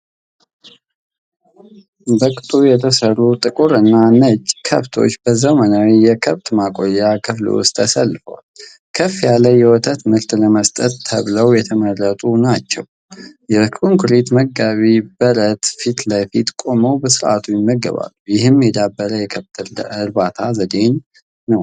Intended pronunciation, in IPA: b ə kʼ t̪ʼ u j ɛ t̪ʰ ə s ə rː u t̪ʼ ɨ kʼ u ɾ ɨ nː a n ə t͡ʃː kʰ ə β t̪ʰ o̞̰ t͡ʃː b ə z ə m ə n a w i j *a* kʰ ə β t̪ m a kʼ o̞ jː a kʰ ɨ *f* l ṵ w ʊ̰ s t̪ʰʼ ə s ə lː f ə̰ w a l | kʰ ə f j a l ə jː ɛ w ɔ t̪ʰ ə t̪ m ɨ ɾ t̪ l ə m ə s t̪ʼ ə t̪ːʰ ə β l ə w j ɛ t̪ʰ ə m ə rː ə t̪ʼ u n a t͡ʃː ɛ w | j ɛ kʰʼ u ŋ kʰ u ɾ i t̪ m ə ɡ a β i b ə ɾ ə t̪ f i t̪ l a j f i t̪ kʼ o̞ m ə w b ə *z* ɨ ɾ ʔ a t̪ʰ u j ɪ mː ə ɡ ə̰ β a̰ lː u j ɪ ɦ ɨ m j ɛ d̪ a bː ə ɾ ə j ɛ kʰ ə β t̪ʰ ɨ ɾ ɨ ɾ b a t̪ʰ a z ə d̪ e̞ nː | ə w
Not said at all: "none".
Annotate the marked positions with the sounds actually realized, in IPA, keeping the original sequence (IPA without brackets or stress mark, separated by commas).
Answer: ɛ, f, s